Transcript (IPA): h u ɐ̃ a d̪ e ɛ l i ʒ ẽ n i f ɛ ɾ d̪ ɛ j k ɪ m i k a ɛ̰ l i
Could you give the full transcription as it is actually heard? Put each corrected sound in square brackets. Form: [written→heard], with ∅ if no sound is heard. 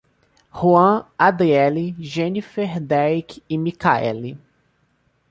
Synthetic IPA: h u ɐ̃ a d̪ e ɛ l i ʒ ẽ n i f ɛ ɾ d̪ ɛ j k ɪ m i k a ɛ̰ l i